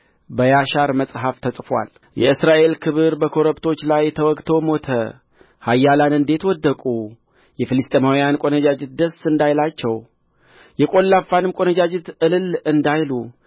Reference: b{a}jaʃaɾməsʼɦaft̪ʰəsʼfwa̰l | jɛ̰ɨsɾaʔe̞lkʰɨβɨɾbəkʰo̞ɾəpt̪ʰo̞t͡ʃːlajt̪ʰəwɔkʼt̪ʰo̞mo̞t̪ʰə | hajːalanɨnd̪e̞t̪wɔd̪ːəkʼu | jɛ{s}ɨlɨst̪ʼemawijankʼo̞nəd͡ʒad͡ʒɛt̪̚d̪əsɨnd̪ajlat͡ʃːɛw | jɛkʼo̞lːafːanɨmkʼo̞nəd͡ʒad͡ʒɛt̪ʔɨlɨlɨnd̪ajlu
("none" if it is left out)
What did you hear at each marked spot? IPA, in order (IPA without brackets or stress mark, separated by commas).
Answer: ə, f